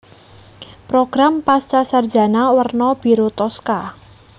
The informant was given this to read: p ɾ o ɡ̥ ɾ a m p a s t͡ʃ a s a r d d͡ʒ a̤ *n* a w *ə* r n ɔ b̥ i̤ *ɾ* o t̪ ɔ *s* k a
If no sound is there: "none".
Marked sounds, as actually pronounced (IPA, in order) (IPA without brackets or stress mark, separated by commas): n, ə, ɾ, s